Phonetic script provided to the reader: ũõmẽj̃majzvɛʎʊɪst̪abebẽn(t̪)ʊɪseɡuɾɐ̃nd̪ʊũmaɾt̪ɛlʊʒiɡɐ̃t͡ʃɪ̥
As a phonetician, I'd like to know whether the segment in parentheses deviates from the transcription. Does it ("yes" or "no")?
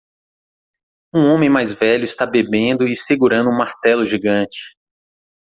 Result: yes